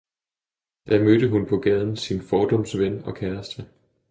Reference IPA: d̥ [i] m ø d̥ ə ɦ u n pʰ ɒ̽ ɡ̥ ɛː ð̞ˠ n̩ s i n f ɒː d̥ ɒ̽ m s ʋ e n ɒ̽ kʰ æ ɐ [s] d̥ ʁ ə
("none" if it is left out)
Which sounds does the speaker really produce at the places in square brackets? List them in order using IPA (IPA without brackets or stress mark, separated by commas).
æ, s